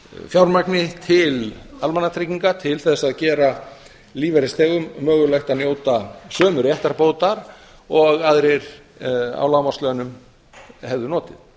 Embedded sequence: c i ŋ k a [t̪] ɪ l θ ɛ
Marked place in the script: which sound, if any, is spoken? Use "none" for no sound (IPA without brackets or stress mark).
t̪ʰ